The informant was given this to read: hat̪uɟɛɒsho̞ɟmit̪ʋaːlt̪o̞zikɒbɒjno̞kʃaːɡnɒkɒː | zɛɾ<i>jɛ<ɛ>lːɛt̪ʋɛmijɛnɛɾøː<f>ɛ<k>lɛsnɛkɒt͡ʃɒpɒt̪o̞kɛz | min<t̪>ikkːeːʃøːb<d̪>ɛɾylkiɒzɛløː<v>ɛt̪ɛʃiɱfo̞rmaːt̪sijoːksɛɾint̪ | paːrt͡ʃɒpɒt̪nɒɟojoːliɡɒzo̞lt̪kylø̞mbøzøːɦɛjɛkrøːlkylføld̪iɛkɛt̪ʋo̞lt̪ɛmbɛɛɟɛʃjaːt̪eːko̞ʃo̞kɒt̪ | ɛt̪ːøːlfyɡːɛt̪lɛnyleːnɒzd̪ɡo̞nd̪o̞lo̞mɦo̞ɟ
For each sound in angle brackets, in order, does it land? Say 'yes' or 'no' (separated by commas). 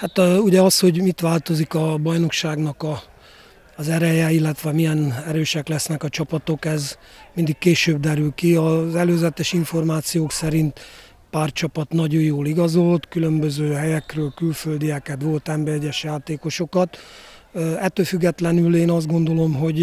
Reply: no, no, no, yes, no, yes, no